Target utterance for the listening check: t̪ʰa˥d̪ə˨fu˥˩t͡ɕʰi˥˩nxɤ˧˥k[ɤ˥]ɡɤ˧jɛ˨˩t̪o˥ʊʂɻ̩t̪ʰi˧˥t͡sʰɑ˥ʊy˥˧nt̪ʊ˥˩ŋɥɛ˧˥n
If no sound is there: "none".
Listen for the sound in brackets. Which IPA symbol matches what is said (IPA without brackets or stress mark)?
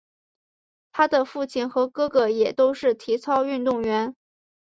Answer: ɤ˥